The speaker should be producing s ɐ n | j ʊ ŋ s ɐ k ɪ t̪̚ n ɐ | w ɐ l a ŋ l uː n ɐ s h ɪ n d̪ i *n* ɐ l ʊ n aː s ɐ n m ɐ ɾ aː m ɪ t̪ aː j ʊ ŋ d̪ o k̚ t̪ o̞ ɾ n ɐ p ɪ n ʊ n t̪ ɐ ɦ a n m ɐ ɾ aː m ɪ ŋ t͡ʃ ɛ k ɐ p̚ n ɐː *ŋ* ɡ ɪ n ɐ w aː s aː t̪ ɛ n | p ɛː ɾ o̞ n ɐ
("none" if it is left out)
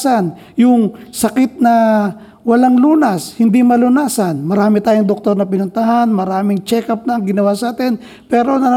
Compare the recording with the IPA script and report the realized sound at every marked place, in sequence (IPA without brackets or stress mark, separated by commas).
m, ŋ